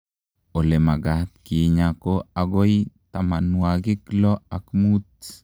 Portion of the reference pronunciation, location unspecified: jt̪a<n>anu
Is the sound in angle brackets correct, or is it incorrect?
incorrect